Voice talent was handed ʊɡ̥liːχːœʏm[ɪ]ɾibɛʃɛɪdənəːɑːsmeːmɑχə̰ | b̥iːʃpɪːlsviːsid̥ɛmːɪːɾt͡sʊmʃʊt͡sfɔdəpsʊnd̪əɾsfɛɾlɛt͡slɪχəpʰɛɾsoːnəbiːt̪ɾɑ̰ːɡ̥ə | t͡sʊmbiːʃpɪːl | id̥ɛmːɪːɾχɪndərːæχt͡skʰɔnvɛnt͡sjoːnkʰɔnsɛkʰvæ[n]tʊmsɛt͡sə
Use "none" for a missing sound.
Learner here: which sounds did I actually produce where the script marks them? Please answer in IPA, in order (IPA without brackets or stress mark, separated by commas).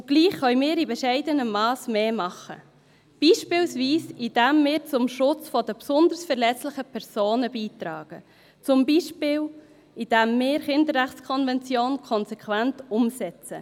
ɪː, n